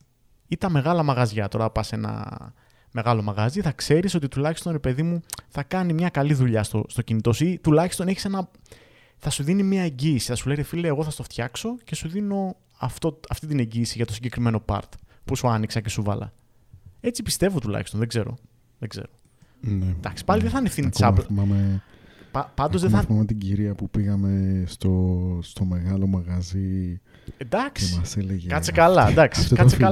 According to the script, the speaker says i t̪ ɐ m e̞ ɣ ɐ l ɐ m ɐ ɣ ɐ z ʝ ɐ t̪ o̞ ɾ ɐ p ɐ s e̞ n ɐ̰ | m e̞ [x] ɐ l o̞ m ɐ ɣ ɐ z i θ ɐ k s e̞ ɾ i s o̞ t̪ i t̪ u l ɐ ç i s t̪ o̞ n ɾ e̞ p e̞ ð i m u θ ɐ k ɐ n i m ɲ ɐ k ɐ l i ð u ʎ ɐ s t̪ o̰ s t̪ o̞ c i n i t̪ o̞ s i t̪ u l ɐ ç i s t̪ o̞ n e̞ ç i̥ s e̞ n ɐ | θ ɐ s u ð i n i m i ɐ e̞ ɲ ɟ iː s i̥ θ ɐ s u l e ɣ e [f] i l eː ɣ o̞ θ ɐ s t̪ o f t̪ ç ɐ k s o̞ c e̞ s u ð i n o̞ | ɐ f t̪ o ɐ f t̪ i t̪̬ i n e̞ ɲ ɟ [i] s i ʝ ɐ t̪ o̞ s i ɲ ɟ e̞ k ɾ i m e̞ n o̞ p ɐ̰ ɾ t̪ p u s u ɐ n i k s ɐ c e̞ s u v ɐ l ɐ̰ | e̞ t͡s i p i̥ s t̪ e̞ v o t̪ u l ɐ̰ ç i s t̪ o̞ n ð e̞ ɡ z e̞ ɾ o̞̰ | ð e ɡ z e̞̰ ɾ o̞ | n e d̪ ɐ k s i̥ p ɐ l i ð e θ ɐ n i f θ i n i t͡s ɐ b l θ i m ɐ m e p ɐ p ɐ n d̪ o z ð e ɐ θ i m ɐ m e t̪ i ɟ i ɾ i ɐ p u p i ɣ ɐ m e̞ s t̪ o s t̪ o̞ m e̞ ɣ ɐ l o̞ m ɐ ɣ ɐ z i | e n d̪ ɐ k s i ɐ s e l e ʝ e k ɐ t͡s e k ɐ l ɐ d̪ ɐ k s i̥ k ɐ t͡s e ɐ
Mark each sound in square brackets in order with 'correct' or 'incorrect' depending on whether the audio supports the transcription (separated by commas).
incorrect, correct, incorrect